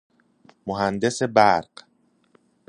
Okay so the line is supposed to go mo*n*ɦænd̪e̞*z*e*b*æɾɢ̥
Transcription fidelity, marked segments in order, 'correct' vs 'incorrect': incorrect: none, incorrect: s, correct

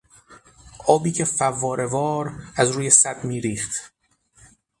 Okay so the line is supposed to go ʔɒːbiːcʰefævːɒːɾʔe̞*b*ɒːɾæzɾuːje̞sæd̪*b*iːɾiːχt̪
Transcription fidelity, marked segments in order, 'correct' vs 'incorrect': incorrect: v, incorrect: m

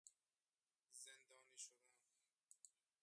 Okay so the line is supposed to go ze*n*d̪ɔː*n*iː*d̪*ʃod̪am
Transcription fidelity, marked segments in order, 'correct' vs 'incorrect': correct, correct, incorrect: none

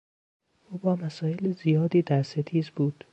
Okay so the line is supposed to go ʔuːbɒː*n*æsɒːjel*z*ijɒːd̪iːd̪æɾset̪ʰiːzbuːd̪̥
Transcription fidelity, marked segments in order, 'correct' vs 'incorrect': incorrect: m, correct

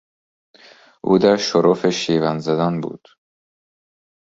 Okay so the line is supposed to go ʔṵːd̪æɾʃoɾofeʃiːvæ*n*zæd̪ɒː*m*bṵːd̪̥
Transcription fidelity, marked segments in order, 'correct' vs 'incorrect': correct, incorrect: n

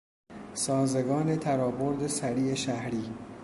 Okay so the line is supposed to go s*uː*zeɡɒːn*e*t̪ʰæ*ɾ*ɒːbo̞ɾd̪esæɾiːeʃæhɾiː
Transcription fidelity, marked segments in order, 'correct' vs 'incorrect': incorrect: ɒː, correct, correct

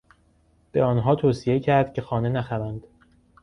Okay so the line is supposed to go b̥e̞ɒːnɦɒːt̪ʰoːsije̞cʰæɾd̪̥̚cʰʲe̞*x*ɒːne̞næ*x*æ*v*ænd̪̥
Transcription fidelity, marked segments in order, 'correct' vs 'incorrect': correct, correct, correct

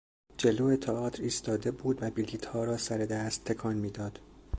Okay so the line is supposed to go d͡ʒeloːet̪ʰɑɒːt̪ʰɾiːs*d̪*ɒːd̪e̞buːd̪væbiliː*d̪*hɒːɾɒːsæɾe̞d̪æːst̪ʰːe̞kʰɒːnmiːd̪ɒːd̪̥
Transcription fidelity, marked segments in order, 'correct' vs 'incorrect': incorrect: t̪, incorrect: t̪

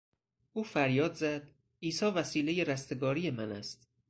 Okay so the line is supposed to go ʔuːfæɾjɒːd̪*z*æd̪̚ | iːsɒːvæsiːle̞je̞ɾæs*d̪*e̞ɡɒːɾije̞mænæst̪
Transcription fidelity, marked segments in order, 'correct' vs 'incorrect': correct, incorrect: t̪

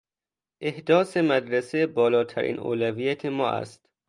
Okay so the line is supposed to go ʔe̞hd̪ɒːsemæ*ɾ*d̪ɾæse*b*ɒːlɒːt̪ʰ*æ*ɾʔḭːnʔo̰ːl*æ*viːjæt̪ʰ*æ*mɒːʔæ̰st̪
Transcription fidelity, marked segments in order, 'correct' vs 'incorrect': incorrect: none, correct, correct, correct, incorrect: e

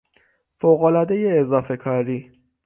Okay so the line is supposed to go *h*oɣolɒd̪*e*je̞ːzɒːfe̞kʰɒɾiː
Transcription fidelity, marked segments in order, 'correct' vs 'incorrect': incorrect: f, correct

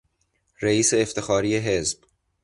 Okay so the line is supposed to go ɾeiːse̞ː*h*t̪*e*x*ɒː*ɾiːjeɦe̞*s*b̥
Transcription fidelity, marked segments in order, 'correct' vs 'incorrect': incorrect: f, correct, correct, incorrect: z

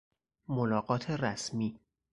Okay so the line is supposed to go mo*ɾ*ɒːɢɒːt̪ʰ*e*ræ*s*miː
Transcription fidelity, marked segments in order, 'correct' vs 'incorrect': incorrect: l, correct, correct

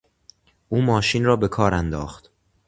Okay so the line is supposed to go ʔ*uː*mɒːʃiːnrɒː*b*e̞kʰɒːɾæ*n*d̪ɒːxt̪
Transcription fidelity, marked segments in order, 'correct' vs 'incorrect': correct, correct, correct

